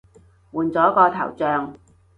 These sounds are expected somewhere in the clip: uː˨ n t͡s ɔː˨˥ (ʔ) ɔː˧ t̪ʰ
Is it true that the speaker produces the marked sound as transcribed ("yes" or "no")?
no